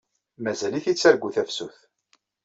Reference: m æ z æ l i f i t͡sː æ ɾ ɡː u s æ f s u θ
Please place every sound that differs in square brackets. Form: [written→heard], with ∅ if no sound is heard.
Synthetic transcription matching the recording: m æ z æ l i [f→θ] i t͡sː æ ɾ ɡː u [s→θ] æ f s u θ